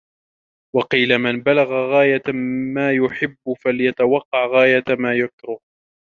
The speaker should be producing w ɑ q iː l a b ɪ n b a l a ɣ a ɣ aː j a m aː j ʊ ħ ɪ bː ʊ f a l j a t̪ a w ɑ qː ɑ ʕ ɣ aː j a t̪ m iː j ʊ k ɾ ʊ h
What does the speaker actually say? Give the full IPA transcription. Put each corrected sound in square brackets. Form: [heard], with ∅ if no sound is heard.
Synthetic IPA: w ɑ q iː l a [m] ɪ n b a l a ɣ a ɣ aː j a m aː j ʊ ħ ɪ bː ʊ f a l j a t̪ a w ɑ qː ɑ ʕ ɣ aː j a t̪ m [aː] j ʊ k ɾ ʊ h

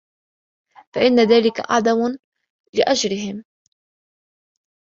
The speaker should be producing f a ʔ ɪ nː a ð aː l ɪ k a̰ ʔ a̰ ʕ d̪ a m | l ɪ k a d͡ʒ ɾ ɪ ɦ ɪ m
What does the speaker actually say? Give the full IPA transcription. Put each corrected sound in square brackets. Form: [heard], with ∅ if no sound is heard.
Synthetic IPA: f a ʔ ɪ nː a ð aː l ɪ k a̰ ʔ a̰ ʕ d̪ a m | l ɪ [ʔ] a d͡ʒ ɾ ɪ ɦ ɪ m

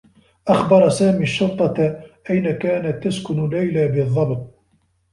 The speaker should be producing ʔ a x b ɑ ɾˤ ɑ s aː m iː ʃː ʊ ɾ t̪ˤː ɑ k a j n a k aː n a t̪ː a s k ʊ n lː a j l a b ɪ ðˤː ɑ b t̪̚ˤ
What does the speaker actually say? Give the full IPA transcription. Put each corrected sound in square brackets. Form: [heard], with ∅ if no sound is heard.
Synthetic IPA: ʔ a x b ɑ ɾˤ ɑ s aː m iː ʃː ʊ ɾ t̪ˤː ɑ [ʔ] a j n a k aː n a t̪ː a s k ʊ n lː a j l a b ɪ ðˤː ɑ b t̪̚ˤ

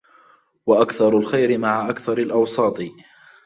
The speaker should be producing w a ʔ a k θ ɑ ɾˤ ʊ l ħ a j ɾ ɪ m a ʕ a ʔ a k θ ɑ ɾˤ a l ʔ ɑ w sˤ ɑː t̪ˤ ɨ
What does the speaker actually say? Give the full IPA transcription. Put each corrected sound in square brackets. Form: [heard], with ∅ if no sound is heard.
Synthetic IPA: w a ʔ a k θ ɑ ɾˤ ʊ l [x] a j ɾ ɪ m a ʕ a ʔ a k θ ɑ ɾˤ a l ʔ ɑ w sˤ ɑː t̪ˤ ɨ

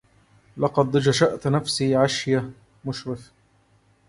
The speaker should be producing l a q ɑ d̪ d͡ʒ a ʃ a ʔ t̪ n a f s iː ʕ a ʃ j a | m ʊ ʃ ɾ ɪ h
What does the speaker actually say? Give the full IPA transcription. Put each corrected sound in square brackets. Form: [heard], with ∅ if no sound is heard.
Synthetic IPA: l [ɑ] q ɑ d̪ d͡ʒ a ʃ a ʔ t̪ n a f s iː ʕ a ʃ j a | m ʊ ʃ ɾ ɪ [f]

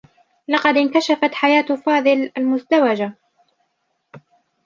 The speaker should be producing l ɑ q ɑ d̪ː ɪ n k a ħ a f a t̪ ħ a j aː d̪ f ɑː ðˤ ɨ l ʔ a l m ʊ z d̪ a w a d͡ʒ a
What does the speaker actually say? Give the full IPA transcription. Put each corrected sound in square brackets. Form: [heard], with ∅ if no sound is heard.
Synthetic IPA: l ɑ q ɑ [d̪] ɪ n k a [ʃ] a f a t̪ ħ a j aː [t̪] f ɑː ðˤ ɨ l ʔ a l m ʊ z d̪ a w a d͡ʒ a

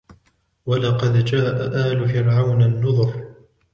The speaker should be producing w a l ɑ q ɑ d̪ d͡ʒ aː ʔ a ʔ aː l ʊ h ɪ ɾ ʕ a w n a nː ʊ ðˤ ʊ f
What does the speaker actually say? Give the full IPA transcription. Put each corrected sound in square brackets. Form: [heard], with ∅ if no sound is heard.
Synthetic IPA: w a l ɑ q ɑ d̪ d͡ʒ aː ʔ a ʔ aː l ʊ [f] ɪ ɾ ʕ a w n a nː ʊ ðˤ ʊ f

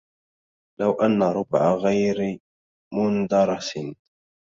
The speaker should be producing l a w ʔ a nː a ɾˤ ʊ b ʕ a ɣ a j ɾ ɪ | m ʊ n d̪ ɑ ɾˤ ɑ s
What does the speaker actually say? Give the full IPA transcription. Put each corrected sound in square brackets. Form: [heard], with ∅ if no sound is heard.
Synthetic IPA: l a w ʔ a nː a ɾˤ ʊ b ʕ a ɣ a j ɾ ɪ | m ʊ n d̪ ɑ ɾˤ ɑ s

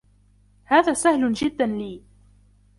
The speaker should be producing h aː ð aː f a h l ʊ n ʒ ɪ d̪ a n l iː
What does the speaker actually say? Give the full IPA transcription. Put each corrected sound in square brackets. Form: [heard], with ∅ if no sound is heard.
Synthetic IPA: h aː ð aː [s] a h l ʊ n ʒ ɪ [d̪ː] a n l iː

